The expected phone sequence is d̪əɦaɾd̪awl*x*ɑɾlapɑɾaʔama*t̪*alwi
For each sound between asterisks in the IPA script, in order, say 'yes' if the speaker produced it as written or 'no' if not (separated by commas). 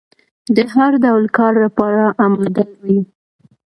no, no